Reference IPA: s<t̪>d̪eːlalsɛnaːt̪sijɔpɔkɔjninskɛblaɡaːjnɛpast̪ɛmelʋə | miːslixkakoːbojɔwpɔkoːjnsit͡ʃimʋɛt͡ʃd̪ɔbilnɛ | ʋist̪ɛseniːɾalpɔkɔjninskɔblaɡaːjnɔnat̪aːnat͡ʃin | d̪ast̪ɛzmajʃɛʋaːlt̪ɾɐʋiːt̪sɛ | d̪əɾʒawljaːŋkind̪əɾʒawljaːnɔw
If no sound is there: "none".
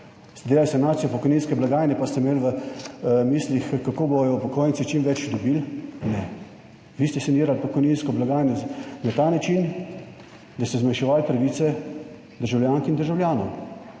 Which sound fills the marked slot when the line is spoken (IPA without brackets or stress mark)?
t̪